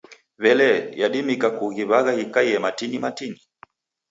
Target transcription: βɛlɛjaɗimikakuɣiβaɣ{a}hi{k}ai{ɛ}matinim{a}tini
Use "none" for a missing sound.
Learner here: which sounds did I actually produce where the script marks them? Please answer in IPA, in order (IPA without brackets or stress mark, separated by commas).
a, k, ɛ, a